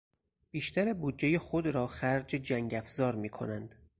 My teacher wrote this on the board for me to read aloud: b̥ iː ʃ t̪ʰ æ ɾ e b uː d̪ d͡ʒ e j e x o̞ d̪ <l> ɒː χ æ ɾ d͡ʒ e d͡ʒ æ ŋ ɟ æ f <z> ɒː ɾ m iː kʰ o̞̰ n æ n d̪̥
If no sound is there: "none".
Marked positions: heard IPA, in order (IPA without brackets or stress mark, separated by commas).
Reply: ɾ, z